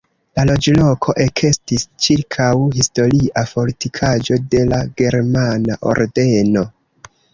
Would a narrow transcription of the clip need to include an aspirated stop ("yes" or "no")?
yes